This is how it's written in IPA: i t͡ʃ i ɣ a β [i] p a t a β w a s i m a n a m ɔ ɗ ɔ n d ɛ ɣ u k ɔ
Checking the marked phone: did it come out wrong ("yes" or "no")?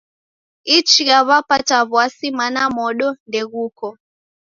yes